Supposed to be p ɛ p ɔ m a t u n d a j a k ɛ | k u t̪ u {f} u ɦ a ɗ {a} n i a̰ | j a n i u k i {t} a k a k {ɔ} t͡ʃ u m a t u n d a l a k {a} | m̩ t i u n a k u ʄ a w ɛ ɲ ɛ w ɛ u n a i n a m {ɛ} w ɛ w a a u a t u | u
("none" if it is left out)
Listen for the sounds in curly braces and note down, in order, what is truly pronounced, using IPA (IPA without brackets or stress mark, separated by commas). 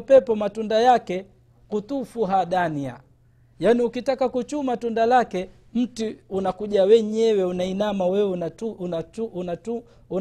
f, a, t, u, ɛ, a